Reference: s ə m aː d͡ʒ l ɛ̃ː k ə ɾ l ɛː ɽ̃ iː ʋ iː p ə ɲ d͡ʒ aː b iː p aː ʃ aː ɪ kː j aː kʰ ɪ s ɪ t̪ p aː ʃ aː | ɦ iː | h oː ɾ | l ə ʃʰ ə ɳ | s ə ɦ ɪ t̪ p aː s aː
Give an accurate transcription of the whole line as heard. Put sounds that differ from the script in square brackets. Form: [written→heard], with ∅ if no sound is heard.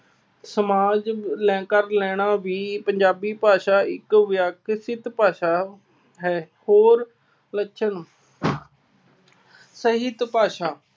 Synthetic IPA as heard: s ə m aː d͡ʒ l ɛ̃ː k ə ɾ l ɛː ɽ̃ [iː→aː] ʋ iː p ə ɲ d͡ʒ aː b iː p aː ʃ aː ɪ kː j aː [kʰ→k] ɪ s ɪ t̪ p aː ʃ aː | ɦ [iː→ɛː] | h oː ɾ | l ə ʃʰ ə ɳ | s ə ɦ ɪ t̪ p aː [s→ʃ] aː